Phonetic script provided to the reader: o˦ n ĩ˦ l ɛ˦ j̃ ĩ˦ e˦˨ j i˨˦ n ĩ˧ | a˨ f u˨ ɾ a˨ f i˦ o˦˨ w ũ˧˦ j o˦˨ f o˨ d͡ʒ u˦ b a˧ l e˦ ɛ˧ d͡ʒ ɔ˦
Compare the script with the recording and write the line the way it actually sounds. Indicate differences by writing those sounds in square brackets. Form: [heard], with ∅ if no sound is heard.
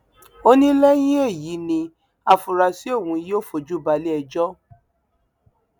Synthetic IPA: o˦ n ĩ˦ l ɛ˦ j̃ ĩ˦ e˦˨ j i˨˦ n ĩ˧ | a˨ f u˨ ɾ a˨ [s] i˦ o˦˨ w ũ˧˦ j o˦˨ f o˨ d͡ʒ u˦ b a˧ l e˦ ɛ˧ d͡ʒ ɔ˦